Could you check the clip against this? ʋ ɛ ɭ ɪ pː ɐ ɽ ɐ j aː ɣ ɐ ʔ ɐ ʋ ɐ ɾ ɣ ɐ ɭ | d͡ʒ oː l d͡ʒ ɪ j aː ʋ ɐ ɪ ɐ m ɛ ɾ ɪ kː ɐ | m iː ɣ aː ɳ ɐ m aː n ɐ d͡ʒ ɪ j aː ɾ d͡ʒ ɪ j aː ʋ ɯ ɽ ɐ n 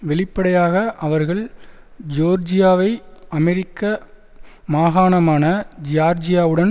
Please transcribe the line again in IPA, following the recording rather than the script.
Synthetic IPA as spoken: ʋ ɛ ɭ ɪ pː ɐ ɽ ɐ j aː ɣ ɐ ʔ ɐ ʋ ɐ ɾ ɣ ɐ ɭ | d͡ʒ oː ɾ d͡ʒ ɪ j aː ʋ ɐ ɪ ɐ m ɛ ɾ ɪ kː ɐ | m aː ɣ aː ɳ ɐ m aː n ɐ d͡ʒ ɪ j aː ɾ d͡ʒ ɪ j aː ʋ ɯ ɽ ɐ n